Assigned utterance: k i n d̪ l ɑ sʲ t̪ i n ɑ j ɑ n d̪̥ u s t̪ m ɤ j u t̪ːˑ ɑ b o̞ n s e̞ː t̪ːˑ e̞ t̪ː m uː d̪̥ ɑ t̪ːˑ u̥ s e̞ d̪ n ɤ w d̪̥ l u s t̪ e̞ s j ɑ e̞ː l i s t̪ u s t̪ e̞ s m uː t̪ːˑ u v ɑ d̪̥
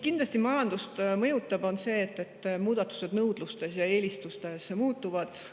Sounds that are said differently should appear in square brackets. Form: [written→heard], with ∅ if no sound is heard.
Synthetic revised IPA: k i n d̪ l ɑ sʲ t̪ i [n→m] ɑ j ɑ n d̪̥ u s t̪ m ɤ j u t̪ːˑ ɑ b o̞ n s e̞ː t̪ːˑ e̞ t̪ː m uː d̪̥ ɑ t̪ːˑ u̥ s e̞ d̪ n ɤ w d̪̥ l u s t̪ e̞ s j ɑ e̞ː l i s t̪ u s t̪ e̞ s m uː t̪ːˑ u v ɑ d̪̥